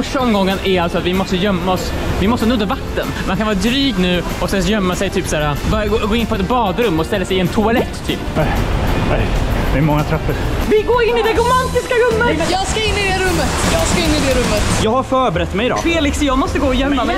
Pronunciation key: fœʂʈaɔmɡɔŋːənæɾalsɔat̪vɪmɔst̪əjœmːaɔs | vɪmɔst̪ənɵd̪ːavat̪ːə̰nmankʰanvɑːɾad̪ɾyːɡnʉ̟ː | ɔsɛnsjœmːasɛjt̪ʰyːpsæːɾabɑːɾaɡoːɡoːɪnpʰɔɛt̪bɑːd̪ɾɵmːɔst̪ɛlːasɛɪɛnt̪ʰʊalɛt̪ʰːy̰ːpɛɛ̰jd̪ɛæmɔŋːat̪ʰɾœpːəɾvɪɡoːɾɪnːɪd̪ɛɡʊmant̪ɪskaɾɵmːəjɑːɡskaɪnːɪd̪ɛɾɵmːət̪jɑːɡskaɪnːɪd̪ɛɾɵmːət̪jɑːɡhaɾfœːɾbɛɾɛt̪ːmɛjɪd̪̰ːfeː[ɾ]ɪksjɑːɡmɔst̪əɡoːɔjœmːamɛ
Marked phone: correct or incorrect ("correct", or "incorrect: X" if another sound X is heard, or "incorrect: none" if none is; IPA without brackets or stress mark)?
incorrect: l